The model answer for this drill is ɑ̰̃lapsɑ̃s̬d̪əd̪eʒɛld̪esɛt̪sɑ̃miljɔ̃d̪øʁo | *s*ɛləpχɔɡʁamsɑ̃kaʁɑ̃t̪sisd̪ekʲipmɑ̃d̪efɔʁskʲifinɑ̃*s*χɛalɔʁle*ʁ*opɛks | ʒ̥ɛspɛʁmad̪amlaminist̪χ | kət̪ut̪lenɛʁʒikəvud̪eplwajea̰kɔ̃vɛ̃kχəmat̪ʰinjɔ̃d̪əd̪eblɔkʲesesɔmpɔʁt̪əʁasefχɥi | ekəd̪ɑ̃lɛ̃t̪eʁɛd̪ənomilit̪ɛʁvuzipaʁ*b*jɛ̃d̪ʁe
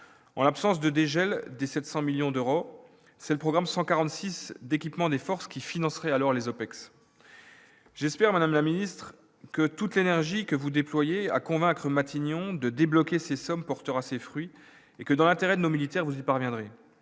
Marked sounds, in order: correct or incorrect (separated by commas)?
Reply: correct, correct, incorrect, incorrect